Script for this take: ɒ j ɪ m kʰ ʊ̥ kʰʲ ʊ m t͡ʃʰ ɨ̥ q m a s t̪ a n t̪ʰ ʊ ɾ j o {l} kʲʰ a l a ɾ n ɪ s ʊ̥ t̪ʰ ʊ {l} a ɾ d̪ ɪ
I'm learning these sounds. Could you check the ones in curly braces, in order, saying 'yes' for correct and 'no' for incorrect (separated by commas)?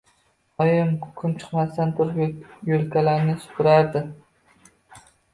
yes, no